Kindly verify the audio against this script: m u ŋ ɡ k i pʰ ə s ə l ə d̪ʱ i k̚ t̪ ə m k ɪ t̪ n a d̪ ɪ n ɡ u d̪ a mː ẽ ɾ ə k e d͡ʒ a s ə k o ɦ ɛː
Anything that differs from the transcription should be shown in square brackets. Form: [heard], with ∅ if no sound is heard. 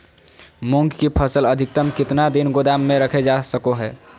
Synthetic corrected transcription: m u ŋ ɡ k i pʰ ə s ə l ə d̪ʱ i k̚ t̪ ə m k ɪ t̪ n a d̪ [i] n ɡ [o] d̪ a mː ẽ ɾ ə [kʰ] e d͡ʒ a s ə k o ɦ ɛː